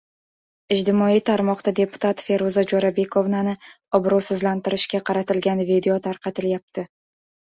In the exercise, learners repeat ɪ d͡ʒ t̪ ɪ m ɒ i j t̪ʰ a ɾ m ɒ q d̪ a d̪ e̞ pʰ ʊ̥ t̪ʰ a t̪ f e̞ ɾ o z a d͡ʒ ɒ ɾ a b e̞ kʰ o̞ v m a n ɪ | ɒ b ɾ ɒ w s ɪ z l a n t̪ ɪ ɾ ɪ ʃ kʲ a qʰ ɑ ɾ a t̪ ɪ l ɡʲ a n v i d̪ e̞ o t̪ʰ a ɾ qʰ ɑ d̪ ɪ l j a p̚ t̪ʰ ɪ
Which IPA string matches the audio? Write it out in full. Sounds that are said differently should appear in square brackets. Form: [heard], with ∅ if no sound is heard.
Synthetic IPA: ɪ d͡ʒ t̪ ɪ m ɒ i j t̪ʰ a ɾ m ɒ q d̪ a d̪ e̞ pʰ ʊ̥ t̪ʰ a t̪ f e̞ ɾ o z a d͡ʒ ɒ ɾ a b e̞ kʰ o̞ v [n] a n ɪ | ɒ b ɾ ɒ w s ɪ z l a n t̪ ɪ ɾ ɪ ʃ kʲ a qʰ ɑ ɾ a t̪ ɪ l ɡʲ a n v i d̪ e̞ o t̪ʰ a ɾ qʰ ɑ [t̪] ɪ l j a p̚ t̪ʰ ɪ